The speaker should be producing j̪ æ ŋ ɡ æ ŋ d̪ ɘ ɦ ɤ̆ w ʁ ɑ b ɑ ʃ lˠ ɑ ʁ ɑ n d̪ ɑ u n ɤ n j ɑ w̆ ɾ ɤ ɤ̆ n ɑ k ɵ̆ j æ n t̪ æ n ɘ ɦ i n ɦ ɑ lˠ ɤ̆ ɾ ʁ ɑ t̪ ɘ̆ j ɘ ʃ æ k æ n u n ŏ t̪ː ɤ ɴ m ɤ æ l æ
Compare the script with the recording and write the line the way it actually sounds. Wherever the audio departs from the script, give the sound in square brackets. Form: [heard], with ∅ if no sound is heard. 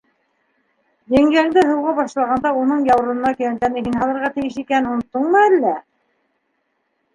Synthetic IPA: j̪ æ ŋ ɡ æ ŋ d̪ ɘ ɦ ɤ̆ w ʁ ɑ b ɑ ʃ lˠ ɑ ʁ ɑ n d̪ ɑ u n ɤ [ɴ] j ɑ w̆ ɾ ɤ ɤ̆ n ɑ k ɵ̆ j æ n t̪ æ n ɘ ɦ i n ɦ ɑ lˠ ɤ̆ ɾ ʁ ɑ t̪ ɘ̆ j ɘ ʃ [i] k æ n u n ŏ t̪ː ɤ ɴ m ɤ æ [lː] æ